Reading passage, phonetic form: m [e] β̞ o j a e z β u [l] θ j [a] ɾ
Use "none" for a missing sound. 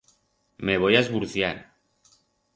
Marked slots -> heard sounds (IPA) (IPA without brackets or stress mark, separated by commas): e, ɾ, a